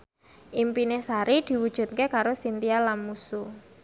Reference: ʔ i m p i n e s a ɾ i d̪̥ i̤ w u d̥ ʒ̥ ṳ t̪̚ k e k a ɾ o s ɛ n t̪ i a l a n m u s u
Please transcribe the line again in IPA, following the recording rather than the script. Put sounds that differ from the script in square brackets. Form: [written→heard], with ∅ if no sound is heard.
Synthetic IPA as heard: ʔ i m p i n e s a ɾ i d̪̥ i̤ w u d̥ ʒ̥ ṳ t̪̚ k e k a ɾ o s [ɛ→i] n t̪ i a l a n m u s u